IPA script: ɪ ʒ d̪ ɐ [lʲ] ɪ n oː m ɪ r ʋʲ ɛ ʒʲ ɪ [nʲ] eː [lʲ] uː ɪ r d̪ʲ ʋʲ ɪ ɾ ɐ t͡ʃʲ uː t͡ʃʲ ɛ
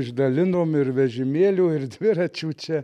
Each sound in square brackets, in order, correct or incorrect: correct, incorrect, correct

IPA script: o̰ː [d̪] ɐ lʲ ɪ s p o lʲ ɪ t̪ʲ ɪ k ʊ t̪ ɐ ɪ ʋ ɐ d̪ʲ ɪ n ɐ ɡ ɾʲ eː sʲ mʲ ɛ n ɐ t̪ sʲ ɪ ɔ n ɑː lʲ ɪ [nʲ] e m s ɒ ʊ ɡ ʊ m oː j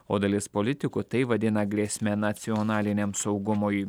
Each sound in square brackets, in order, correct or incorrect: correct, correct

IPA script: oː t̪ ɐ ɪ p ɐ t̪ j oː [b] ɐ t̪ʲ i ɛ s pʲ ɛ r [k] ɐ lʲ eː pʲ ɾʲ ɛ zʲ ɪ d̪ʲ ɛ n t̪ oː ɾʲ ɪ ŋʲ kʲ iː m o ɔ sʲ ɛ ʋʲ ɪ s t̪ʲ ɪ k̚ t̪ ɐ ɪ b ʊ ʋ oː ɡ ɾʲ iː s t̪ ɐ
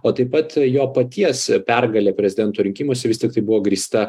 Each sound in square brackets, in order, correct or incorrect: incorrect, incorrect

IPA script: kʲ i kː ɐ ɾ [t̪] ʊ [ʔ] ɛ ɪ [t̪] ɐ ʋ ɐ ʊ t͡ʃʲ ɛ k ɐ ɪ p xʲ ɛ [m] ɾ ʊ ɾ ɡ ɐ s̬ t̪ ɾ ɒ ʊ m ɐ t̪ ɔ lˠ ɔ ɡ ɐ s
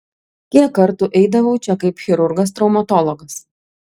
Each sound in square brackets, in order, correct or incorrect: correct, correct, incorrect, incorrect

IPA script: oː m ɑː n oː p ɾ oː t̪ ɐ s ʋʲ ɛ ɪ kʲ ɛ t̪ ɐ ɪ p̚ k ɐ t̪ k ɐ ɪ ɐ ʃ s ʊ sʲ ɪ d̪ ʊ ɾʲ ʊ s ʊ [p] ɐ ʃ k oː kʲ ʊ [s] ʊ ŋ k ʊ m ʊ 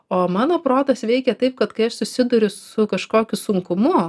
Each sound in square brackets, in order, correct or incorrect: incorrect, correct

